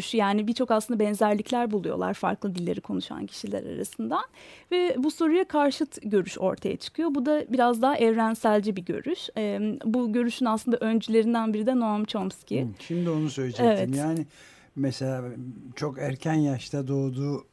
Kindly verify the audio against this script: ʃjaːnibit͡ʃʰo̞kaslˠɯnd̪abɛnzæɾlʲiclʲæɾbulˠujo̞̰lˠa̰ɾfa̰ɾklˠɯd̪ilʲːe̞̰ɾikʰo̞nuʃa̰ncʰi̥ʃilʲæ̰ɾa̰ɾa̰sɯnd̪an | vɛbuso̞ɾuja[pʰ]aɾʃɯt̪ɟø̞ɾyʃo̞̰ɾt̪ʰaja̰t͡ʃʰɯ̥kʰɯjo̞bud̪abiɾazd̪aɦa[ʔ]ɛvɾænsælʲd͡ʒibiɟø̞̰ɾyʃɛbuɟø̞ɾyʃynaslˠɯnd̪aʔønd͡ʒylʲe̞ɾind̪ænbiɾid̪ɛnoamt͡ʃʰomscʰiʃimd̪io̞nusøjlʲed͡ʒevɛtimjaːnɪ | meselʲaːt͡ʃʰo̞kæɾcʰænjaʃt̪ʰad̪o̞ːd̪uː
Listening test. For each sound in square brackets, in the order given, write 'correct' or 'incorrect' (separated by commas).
incorrect, correct